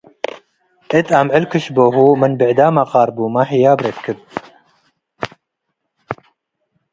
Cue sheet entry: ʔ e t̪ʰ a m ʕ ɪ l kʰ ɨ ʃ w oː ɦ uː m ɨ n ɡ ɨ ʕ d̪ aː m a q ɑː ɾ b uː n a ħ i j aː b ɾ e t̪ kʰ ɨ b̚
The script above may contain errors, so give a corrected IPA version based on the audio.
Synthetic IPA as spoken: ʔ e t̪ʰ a m ʕ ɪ l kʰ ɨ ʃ b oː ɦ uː m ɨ n b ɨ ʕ d̪ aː m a q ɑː ɾ b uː m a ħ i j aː b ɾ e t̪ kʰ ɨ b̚

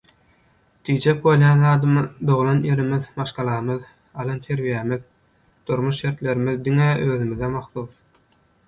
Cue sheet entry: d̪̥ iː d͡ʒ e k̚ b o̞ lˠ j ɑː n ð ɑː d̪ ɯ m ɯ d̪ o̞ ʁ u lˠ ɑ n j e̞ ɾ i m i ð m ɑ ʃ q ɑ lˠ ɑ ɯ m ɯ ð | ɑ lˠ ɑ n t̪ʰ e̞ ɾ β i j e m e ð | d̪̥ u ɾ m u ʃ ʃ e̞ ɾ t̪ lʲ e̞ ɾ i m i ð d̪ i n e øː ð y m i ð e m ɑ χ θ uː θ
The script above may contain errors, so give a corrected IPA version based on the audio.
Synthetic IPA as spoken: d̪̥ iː d͡ʒ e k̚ b o̞ lˠ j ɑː n ð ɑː d̪ ɯ m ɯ d̪ o̞ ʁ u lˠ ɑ n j e̞ ɾ i m i ð m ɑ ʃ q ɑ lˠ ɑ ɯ m ɯ ð | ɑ lˠ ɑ n t̪ʰ e̞ ɾ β i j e m i ð | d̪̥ u ɾ m u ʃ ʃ e̞ ɾ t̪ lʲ e̞ ɾ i m i ð d̪ i ŋ e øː ð y m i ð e m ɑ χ θ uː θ

